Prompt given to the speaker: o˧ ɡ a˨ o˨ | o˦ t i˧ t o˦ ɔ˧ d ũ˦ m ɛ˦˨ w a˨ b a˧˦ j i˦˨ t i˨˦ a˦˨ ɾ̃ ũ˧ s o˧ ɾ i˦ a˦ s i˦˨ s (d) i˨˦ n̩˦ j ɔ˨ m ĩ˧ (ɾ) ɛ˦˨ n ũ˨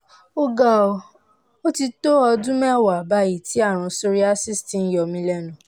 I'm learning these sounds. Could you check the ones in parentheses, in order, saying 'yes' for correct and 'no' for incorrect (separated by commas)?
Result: no, no